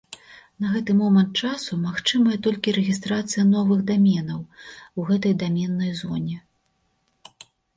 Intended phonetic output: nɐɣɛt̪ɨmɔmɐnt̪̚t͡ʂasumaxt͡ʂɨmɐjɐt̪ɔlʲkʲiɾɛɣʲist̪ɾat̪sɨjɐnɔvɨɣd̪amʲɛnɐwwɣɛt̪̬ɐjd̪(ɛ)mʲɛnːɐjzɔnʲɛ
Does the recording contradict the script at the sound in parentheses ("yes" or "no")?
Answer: yes